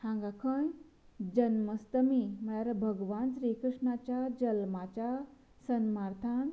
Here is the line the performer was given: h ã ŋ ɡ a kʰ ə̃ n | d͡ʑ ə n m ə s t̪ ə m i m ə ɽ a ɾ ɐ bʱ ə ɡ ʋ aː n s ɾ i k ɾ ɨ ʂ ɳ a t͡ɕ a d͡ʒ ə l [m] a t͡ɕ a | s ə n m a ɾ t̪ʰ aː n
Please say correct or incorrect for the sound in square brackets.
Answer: correct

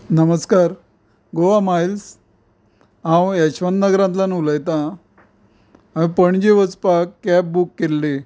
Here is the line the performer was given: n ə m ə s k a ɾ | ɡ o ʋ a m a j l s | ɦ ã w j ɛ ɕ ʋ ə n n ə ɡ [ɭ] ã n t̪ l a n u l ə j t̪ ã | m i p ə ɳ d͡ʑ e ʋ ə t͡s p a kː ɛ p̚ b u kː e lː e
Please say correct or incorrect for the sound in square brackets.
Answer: incorrect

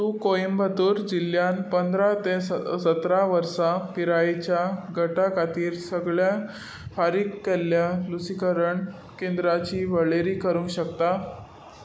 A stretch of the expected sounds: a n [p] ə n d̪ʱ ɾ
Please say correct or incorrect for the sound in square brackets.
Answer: correct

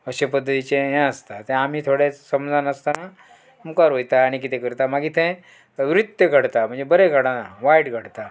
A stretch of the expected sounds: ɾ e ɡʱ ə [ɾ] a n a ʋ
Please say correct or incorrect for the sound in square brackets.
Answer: incorrect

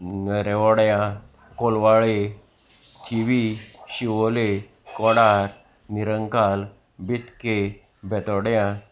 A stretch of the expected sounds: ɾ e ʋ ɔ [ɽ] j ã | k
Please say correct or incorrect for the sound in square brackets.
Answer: correct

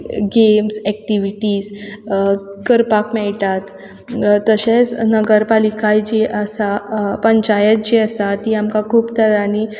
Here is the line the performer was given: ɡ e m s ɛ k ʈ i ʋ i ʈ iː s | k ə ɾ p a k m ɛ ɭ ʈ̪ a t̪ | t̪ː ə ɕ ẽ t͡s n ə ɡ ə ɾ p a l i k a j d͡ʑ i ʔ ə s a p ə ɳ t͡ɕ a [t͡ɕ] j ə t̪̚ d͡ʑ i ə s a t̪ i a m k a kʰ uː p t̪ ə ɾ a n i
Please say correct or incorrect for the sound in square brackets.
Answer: incorrect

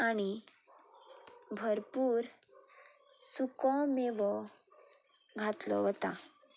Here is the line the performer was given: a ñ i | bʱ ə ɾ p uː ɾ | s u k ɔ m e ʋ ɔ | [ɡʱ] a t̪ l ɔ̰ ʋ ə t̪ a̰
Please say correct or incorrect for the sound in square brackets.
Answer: correct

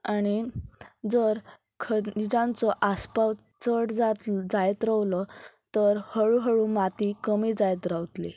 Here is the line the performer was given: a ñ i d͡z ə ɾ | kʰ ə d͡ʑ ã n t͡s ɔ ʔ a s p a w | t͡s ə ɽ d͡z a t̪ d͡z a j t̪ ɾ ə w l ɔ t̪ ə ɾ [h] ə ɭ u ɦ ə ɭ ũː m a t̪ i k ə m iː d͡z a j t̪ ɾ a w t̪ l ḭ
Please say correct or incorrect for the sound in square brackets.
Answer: correct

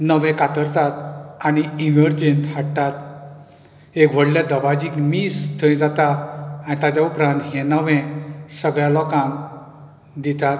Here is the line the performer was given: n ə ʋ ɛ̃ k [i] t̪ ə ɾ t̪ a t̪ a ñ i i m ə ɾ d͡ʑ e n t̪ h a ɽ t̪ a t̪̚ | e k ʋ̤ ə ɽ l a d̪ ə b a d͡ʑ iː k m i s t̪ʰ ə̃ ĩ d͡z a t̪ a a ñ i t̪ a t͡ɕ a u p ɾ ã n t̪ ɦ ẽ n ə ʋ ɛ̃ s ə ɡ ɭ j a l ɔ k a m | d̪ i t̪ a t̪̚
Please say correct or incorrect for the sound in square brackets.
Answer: incorrect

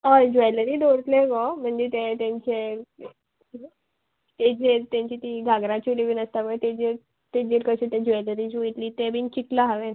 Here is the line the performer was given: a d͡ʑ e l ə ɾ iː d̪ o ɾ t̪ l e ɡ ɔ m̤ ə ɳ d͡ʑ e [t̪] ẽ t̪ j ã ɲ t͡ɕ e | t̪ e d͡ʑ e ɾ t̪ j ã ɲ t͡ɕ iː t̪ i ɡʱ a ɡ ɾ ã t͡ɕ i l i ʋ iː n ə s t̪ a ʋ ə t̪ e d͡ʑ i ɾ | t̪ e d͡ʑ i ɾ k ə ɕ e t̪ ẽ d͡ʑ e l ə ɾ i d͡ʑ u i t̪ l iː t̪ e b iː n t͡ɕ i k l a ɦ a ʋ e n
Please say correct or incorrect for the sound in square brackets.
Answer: correct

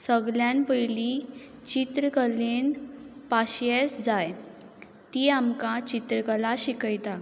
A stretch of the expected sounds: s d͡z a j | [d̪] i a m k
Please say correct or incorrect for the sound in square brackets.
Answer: incorrect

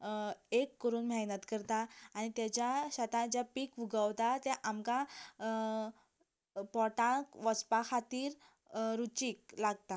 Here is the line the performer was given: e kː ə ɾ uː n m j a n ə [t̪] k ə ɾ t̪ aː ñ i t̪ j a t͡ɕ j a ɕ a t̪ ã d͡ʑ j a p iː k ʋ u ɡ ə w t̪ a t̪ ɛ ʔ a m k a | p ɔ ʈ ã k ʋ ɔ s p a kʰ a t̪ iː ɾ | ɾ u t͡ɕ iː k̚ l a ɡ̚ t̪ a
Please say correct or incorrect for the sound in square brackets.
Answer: correct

